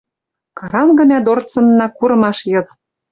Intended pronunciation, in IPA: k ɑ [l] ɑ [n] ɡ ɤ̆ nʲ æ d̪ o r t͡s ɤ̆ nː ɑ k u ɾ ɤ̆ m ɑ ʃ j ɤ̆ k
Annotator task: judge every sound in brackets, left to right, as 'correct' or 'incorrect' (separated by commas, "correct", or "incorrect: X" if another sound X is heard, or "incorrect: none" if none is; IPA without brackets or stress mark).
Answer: incorrect: ɾ, incorrect: m